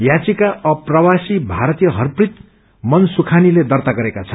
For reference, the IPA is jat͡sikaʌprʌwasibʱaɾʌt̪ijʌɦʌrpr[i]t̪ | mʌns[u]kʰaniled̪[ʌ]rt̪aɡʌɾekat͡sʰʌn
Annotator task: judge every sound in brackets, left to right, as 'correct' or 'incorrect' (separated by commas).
correct, correct, correct